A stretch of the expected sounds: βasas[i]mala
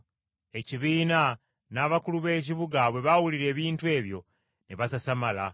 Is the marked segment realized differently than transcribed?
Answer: yes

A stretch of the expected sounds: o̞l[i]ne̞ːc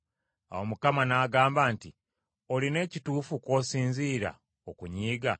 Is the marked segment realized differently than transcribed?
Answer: no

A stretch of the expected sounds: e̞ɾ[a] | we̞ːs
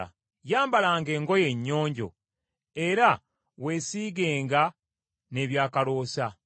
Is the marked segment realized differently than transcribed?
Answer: no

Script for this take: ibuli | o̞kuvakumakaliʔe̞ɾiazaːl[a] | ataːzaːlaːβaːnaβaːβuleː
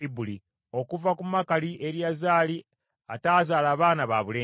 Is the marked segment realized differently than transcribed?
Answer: yes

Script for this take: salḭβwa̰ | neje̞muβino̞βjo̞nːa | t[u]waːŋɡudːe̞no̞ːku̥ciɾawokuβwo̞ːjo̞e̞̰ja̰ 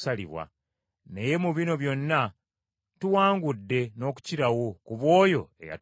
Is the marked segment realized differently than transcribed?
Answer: no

